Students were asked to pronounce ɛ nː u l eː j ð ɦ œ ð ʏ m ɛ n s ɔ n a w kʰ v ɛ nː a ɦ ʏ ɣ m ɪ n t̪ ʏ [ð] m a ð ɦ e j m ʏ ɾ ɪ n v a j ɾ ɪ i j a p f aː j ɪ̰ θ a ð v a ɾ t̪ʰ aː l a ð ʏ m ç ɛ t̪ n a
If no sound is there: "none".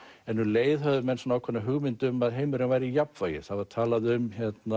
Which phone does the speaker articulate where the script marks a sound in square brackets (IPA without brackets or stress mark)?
none